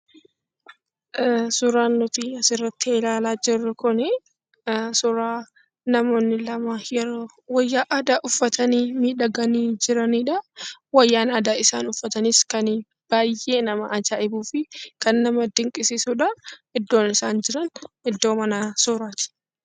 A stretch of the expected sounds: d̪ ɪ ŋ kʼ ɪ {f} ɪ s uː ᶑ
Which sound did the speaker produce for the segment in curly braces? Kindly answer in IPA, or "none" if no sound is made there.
s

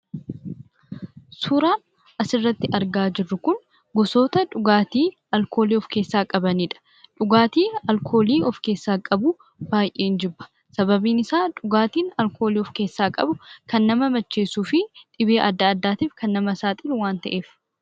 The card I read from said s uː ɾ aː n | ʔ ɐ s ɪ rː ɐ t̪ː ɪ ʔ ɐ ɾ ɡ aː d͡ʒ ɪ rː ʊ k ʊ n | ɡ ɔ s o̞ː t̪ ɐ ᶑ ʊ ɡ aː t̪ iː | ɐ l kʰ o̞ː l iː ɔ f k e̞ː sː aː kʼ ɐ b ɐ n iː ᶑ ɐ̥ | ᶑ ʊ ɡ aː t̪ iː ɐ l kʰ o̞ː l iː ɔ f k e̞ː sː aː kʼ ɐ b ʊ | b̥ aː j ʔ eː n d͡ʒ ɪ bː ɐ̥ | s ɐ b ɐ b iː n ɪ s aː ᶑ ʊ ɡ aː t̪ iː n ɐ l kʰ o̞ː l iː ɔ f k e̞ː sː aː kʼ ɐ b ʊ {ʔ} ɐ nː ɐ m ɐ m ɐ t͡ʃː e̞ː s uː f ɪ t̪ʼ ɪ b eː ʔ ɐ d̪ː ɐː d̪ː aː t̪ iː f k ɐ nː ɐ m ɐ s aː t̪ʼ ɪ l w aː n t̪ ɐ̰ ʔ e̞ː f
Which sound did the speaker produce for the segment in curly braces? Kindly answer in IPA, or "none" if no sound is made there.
k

